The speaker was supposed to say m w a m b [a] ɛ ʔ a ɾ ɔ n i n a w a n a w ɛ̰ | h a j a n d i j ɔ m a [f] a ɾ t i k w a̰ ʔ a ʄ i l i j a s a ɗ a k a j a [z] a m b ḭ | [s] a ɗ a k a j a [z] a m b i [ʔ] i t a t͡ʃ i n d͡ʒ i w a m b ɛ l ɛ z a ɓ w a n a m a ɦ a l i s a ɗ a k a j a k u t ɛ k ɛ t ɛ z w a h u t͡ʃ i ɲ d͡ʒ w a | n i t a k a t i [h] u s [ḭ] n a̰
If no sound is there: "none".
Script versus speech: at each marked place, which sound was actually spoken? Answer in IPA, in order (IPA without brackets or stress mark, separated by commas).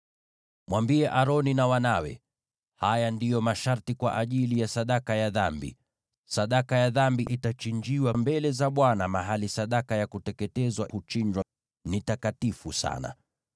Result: i, ʃ, ð, s, ð, ʔ, f, a̰